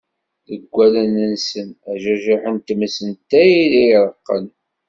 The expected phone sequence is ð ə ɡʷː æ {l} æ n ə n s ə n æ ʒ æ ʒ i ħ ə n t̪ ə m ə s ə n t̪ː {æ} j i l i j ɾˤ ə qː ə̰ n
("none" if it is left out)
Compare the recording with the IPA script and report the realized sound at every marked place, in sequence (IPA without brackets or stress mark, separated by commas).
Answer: l, æ